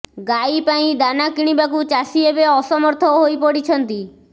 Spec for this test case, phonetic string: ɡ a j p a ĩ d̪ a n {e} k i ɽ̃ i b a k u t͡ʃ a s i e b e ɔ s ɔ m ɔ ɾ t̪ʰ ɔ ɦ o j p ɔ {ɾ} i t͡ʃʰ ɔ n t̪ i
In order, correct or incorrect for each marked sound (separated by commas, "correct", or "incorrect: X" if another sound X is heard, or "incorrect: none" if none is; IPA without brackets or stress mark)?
incorrect: a, incorrect: ɽ